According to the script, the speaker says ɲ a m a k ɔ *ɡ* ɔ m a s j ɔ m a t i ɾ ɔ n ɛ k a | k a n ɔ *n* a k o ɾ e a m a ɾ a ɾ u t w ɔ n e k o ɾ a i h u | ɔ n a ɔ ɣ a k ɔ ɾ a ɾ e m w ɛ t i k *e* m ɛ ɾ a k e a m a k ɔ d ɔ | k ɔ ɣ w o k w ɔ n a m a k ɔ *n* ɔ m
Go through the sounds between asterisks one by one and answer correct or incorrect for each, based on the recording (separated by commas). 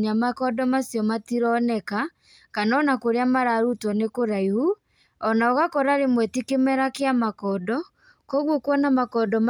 incorrect, correct, correct, incorrect